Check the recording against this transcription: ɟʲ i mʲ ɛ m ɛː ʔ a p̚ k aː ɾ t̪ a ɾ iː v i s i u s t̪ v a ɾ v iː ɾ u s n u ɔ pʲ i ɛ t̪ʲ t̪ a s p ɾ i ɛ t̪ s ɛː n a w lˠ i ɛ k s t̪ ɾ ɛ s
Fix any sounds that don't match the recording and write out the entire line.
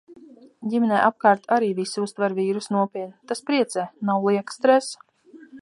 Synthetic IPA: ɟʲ i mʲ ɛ n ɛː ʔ a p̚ k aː ɾ t̪ a ɾ iː v i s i u s t̪ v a ɾ v iː ɾ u s n u ɔ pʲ i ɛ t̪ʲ t̪ a s p ɾ i ɛ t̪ s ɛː n a w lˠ i ɛ k s t̪ ɾ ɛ s